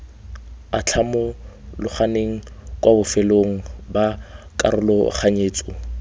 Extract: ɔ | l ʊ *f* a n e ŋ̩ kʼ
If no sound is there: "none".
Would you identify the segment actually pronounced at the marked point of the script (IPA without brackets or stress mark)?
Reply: χ